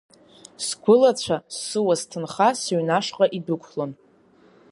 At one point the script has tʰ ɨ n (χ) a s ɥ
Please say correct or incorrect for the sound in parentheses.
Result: correct